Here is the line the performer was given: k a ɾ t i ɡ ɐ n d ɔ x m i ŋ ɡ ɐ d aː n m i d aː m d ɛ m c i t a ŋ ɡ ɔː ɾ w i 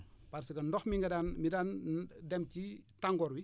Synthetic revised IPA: p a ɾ s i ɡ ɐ n d ɔ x m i ŋ ɡ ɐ d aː n m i d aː n d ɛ m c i t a ŋ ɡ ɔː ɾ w i